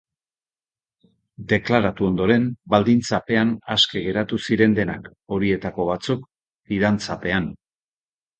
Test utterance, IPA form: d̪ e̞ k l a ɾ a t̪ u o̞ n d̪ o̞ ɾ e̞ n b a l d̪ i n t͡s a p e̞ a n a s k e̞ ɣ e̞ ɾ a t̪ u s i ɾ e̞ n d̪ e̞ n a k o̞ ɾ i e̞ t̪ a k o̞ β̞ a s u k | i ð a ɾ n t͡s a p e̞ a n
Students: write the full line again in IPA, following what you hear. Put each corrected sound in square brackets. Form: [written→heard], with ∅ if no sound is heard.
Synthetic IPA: d̪ e̞ k l a ɾ a t̪ u o̞ n d̪ o̞ ɾ e̞ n b a l d̪ i n t͡s a p e̞ a n a s k e̞ ɣ e̞ ɾ a t̪ u s i ɾ e̞ n d̪ e̞ n a k o̞ ɾ i e̞ t̪ a k o̞ β̞ a [s→t͡s] u k | i ð a [ɾ→∅] n t͡s a p e̞ a n